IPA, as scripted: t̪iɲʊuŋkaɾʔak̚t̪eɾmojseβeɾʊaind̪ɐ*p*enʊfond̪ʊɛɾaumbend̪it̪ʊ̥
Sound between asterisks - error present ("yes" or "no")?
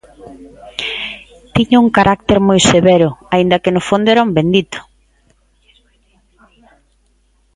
yes